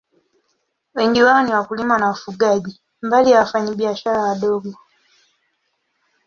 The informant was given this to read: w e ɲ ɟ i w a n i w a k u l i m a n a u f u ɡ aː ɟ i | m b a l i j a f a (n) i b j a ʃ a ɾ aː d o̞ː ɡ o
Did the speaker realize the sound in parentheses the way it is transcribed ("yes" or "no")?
no